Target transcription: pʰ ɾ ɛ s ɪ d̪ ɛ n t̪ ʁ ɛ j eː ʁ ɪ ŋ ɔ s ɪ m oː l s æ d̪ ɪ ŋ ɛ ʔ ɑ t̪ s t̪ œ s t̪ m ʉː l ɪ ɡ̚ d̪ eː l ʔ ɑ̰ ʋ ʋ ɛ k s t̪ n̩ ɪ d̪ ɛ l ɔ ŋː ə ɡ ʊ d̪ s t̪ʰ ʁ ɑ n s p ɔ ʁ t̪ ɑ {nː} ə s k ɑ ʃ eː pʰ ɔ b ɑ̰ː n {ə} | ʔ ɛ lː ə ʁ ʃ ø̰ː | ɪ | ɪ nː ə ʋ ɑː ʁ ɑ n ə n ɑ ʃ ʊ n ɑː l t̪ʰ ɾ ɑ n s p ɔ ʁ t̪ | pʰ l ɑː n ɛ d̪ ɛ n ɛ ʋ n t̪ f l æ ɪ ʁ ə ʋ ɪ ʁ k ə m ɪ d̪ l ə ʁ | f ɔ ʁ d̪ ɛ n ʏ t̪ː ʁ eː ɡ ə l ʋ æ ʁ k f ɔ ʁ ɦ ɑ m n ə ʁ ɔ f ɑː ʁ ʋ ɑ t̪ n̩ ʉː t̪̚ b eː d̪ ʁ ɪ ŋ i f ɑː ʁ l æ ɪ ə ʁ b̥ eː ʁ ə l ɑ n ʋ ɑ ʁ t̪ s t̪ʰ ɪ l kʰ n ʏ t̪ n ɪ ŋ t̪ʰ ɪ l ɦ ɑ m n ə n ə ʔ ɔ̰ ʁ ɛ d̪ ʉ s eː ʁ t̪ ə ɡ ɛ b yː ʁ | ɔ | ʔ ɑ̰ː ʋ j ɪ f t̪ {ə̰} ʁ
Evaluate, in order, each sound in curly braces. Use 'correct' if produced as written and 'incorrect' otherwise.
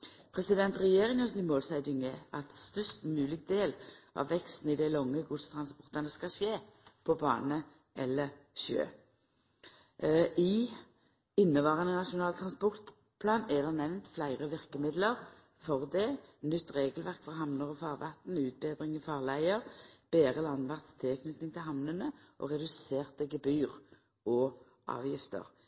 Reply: incorrect, correct, correct

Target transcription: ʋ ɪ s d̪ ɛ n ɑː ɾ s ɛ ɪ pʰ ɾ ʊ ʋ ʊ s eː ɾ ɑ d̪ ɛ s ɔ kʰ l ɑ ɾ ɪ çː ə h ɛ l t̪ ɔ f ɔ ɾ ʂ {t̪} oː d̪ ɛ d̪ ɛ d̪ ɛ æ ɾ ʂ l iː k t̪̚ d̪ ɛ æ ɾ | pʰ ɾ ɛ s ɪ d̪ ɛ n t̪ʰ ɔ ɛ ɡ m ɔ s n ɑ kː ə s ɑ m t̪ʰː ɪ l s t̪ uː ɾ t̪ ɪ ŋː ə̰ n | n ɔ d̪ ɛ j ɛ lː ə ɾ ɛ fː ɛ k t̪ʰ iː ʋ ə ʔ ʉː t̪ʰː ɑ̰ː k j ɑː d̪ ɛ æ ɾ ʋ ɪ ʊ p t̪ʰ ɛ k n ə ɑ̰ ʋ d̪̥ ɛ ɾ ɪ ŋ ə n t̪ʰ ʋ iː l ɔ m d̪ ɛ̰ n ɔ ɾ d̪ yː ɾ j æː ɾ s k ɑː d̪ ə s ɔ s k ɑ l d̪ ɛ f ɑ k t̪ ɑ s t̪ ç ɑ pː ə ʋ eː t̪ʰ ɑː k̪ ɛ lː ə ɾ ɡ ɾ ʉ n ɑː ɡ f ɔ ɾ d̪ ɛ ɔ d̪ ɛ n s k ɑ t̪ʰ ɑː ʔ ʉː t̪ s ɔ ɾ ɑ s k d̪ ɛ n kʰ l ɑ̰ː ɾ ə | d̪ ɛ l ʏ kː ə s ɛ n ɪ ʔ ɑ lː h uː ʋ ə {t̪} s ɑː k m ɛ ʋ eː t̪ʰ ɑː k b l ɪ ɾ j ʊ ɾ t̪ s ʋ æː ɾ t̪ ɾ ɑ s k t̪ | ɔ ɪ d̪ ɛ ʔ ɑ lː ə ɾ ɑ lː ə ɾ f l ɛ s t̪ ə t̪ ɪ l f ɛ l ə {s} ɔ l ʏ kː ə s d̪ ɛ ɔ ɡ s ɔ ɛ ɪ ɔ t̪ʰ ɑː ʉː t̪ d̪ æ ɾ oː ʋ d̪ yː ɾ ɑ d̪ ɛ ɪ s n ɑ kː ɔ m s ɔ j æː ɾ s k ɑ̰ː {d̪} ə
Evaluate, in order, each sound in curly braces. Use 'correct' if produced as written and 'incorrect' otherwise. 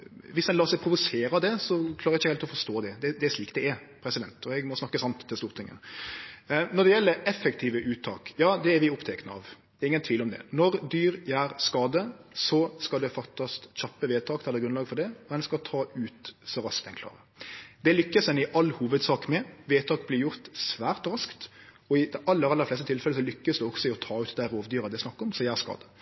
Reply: correct, incorrect, correct, correct

